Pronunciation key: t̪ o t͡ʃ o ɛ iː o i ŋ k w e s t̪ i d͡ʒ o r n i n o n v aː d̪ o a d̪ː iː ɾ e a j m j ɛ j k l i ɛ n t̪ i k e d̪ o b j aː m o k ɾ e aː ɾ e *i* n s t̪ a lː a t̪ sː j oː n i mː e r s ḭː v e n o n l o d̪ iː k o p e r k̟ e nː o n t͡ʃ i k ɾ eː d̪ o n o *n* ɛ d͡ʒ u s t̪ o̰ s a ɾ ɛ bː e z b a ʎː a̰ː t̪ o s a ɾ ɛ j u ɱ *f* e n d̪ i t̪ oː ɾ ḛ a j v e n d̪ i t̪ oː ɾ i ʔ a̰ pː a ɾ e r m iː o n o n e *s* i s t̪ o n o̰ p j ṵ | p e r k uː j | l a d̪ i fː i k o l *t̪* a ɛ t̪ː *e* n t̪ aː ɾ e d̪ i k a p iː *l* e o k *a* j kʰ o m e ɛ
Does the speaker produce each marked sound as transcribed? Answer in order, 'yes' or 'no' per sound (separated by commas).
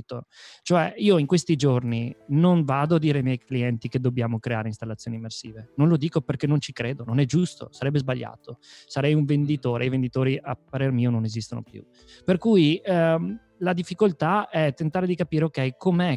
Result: yes, yes, no, no, yes, yes, no, no